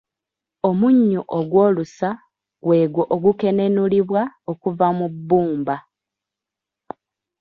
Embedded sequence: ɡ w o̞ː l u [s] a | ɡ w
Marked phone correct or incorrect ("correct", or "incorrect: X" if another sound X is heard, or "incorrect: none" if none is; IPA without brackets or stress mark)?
correct